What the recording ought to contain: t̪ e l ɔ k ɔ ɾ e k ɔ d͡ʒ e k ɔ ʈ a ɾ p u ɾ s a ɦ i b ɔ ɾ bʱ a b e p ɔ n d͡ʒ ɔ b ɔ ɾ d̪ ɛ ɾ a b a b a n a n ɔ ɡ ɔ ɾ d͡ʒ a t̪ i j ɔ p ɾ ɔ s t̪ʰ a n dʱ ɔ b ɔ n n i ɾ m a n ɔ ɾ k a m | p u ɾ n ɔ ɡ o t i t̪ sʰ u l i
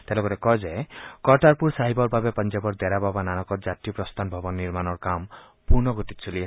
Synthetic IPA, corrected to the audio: t̪ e l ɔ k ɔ ɾ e k ɔ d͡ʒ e k ɔ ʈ a ɾ p u ɾ s a ɦ i b ɔ ɾ bʱ a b e p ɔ n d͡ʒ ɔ b ɔ ɾ d̪ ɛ ɾ a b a b a n a n ɔ k ɔ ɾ d͡ʒ a t̪ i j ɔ p ɾ ɔ s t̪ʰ a n bʱ ɔ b ɔ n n i ɾ m a n ɔ ɾ k a m | p u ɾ n ɔ ɡ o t i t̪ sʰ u l i